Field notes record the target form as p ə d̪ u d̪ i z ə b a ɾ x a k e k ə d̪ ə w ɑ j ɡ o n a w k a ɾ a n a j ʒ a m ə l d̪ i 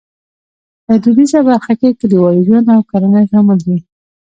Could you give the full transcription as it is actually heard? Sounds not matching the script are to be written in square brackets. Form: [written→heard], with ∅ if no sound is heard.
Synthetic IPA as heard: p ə d̪ u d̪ i z [ə→a] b a ɾ x a k e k ə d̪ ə w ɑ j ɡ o n a w k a ɾ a n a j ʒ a m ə l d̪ i